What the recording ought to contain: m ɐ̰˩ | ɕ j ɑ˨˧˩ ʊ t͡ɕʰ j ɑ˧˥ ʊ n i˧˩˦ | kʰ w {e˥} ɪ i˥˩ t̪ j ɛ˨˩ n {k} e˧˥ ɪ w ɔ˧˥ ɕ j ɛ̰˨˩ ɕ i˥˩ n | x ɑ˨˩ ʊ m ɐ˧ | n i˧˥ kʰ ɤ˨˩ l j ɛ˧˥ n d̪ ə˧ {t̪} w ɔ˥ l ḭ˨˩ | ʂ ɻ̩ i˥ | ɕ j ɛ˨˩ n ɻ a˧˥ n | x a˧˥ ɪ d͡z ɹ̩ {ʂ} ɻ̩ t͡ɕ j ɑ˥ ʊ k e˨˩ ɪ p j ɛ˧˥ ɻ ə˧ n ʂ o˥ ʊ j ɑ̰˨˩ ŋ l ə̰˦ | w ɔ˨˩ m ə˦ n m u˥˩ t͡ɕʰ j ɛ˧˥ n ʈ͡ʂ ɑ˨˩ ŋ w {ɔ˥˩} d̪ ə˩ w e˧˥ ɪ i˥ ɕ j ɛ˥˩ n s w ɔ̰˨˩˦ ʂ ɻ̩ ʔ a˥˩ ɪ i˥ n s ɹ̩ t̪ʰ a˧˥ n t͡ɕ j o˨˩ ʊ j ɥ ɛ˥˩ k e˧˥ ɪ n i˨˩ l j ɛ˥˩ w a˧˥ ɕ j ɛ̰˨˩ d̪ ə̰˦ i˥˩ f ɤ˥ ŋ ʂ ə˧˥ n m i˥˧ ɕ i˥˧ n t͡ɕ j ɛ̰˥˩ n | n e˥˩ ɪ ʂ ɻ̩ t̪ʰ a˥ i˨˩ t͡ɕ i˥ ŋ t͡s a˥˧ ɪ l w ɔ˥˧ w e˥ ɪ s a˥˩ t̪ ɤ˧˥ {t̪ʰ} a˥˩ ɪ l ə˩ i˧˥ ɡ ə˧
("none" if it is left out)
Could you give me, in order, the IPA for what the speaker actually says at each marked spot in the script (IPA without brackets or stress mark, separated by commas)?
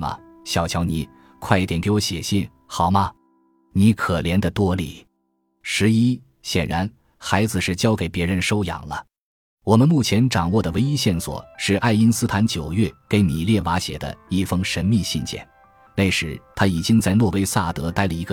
a˥, k, t̪, ʂ, ɔ˥˩, t̪